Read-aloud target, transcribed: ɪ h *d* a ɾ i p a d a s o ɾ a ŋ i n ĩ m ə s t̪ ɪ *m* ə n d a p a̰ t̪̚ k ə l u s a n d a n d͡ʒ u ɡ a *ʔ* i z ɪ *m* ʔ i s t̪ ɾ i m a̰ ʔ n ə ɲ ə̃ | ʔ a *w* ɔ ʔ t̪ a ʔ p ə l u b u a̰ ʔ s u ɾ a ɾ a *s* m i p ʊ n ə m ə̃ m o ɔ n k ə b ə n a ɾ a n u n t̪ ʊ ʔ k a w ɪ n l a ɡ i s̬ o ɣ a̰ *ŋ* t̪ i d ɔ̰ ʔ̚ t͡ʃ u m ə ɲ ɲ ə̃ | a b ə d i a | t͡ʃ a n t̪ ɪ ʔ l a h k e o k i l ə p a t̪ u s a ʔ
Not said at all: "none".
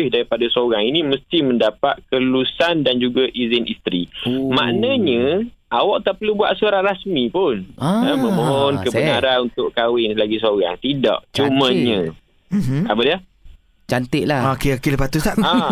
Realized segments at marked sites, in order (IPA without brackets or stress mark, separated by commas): d, m, ʔ, n, w, s, ŋ